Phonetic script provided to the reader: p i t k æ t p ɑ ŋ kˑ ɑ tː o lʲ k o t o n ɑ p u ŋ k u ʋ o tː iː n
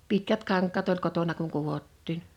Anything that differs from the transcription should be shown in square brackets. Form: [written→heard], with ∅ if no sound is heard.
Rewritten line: p i t k æ t [p→k] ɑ ŋ kˑ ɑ tː o lʲ k o t o n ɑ [p→k] u ŋ k u ʋ o tː iː n